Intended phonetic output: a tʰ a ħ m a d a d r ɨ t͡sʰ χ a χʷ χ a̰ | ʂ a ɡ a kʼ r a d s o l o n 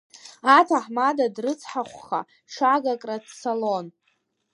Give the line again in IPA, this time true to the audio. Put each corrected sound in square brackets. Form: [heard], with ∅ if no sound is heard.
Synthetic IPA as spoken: a tʰ a ħ m a d a d r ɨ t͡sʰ [ħ] a χʷ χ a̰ | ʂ a ɡ a kʼ r a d s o l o n